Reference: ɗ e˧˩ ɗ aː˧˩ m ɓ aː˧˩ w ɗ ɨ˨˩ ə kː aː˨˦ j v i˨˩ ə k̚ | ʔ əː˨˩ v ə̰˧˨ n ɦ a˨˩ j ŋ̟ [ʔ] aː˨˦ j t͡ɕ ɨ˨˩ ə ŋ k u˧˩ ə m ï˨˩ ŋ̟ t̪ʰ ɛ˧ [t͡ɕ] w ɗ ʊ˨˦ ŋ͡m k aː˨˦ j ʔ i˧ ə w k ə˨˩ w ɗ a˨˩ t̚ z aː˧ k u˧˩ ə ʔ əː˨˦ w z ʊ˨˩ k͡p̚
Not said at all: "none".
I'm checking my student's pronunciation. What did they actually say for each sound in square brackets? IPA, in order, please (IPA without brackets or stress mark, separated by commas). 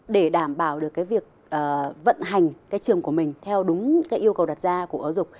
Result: k, none